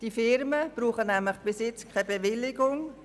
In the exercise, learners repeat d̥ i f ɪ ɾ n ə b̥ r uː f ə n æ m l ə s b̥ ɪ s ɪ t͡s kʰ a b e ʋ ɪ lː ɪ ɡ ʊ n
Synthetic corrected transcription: d̥ i f ɪ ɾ m ə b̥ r uː χ ə n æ m l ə χ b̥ ɪ s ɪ t͡s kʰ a b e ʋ ɪ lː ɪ ɡ ʊ ŋ

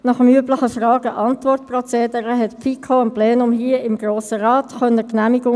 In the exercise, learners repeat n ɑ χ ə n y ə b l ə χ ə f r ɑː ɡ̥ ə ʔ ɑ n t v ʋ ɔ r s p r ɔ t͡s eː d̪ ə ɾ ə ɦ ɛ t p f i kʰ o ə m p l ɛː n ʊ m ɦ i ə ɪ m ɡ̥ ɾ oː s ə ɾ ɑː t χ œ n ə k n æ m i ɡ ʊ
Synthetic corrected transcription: n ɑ χ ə m y ə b l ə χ ə f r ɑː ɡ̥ ə ʔ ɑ n t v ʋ ɔ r t p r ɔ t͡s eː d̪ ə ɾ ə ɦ ɛ t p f i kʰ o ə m p l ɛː n ʊ m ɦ i ə ɪ m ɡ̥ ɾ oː s ə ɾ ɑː t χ œ n ə k n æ m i ɡ ʊ

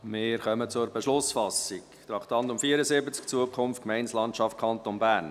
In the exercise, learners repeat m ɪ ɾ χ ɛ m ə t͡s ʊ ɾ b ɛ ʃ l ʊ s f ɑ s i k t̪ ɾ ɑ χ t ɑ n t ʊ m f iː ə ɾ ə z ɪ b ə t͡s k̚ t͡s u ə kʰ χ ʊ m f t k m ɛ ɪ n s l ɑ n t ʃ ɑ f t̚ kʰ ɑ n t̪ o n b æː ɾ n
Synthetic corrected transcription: m ɪ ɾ χ œ m ə t͡s ʊ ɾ b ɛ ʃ l ʊ s f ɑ s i k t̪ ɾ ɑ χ t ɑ n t ʊ m f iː ə ɾ ə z ɪ b ə t͡s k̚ t͡s u ə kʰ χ ʊ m f t k m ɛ ɪ n s l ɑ n t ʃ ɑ f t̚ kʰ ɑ n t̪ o n b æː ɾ n

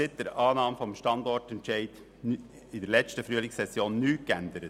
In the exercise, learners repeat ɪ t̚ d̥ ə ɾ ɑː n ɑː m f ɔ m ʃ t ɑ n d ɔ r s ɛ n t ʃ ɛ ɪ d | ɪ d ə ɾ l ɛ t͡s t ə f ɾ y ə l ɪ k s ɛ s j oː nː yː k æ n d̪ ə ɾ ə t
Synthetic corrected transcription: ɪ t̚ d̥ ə ɾ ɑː n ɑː m f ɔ m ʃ t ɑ n d ɔ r t ɛ n t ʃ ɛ ɪ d | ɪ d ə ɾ l ɛ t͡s t ə f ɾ y ə l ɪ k s ɛ s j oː nː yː k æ n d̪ ə ɾ ə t

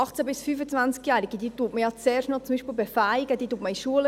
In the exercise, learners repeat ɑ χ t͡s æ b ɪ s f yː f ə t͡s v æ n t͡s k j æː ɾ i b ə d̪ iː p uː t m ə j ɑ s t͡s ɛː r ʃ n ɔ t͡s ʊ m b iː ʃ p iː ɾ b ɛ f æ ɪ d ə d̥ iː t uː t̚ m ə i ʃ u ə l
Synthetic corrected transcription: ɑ χ t͡s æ b ɪ s f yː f ə t͡s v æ n t͡s k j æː ɾ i ɡ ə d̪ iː t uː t m ə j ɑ t͡s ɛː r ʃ n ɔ t͡s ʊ m b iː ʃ p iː l b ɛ f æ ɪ ɡ ə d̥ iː t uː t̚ m ə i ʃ u ə l

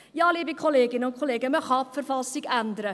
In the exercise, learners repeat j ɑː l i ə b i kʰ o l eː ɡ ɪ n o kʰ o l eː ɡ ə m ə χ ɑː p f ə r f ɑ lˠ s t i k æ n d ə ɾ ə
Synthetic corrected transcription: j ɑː l i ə b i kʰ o l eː ɡ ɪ n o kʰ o l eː ɡ ə m ə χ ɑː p f ə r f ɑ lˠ s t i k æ n d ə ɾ ə

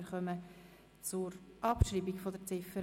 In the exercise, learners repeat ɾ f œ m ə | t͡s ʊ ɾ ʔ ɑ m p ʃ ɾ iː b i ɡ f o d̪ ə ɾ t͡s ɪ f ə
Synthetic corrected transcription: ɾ χ œ m ə | t͡s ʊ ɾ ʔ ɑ p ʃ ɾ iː b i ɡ f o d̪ ə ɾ t͡s ɪ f ə

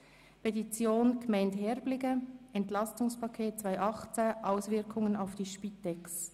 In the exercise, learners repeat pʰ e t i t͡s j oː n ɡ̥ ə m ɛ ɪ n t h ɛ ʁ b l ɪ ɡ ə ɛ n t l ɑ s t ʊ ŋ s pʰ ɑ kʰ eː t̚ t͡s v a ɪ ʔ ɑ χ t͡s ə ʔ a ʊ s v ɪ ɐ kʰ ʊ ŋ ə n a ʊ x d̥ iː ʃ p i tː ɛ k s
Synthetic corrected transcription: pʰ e t i t͡s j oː n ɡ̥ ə m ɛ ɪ n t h ɛ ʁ b l ɪ ɡ ə ɛ n t l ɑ s t ʊ ŋ s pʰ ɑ kʰ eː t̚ t͡s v a ɪ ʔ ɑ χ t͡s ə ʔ a ʊ s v ɪ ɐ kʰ ʊ ŋ ə n a ʊ f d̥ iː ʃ p i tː ɛ k s

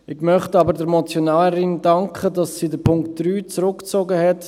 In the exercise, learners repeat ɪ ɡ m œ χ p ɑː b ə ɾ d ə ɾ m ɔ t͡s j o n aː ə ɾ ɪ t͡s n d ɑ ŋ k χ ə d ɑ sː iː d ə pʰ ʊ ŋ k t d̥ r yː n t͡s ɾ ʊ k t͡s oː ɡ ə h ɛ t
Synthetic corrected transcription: ɪ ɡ m œ χ t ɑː b ə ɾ d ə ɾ m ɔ t͡s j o n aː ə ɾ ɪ n d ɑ ŋ k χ ə d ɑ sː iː d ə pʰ ʊ ŋ k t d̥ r yː t͡s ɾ ʊ k t͡s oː ɡ ə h ɛ t

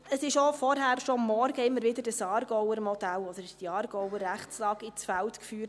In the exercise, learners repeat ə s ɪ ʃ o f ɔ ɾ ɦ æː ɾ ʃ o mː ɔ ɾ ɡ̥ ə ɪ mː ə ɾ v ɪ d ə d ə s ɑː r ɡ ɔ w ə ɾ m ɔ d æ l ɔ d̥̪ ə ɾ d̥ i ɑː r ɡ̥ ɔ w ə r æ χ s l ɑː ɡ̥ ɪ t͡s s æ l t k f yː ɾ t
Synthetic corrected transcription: ə s ɪ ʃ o f ɔ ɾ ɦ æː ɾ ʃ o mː ɔ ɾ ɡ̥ ə ɪ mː ə ɾ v ɪ d ə d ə s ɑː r ɡ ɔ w ə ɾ m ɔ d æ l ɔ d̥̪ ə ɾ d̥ i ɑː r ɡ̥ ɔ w ə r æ χ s l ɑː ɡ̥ ɪ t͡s f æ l t k f yː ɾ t

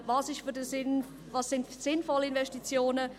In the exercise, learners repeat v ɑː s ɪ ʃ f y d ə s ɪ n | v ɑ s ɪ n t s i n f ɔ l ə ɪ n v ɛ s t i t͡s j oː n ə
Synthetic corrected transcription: v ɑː s ɪ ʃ f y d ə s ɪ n | v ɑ s ɪ n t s ɪ n f ɔ l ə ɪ n v ɛ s t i t͡s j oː n ə

